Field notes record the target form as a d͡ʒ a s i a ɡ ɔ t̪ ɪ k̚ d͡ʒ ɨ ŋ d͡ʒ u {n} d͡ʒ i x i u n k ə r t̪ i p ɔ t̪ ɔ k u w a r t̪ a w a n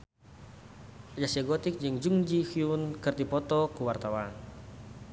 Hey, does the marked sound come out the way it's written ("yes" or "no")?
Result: no